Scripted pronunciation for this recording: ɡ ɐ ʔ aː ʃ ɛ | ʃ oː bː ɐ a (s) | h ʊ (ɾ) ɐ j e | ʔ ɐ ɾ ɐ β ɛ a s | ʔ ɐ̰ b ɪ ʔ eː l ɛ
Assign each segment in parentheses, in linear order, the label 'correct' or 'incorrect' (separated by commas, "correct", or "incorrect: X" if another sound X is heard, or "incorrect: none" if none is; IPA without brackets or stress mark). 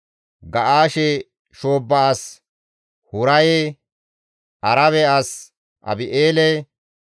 correct, correct